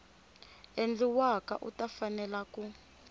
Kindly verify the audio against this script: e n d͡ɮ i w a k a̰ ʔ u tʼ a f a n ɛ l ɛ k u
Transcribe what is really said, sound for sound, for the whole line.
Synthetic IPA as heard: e n d͡ɮ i w a k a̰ ʔ u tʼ a f a n ɛ l a k u